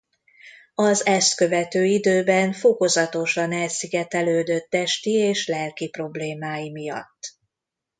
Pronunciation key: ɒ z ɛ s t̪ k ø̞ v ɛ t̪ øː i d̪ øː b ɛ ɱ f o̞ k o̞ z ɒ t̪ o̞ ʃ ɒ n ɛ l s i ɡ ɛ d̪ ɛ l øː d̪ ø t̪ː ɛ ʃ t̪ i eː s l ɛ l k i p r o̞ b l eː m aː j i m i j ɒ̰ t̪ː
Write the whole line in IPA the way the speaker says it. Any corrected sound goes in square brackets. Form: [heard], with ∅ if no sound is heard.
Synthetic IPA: ɒ z ɛ s t̪ k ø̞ v ɛ t̪ øː i d̪ øː b ɛ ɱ f o̞ k o̞ z ɒ t̪ o̞ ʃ ɒ n ɛ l s i ɡ ɛ [t̪] ɛ l øː d̪ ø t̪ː ɛ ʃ t̪ i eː [ʃ] l ɛ l k i p r o̞ b l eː m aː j i m i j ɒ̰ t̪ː